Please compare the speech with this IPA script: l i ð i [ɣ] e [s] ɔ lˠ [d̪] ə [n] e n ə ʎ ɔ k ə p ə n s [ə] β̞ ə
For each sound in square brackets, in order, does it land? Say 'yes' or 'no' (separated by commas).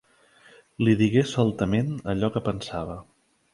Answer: yes, yes, no, no, no